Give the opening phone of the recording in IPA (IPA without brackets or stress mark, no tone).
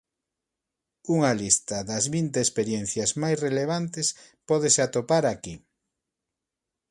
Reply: u